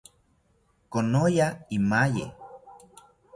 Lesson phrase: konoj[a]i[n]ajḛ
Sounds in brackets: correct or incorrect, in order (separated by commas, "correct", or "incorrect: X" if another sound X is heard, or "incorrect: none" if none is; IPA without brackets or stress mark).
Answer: correct, incorrect: m